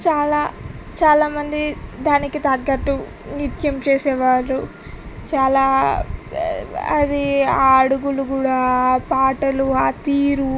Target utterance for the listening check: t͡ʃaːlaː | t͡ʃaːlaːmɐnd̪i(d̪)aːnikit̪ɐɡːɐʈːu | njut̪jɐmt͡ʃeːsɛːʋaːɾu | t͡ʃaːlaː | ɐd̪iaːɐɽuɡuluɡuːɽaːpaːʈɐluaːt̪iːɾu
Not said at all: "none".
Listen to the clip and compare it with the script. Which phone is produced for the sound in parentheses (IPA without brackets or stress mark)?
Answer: d̪